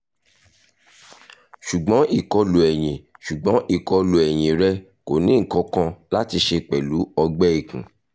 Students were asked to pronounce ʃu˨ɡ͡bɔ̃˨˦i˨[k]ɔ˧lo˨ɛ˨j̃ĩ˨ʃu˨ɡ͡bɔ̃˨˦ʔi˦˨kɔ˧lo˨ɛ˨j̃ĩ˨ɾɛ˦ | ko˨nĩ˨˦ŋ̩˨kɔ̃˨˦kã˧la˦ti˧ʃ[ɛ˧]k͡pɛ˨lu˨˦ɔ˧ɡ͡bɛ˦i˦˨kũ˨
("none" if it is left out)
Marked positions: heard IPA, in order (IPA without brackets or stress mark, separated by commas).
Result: k, e˧